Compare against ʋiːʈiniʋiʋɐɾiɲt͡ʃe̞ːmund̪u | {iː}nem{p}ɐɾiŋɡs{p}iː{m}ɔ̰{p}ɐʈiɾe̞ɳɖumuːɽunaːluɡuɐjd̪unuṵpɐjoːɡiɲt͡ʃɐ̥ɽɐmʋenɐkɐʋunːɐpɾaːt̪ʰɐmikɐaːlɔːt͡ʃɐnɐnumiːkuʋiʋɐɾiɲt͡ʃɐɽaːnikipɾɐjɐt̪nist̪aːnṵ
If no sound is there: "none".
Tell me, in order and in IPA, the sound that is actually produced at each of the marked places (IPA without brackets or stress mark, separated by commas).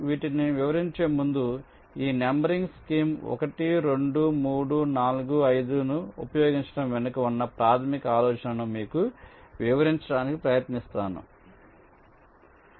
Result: iː, b, k, m, k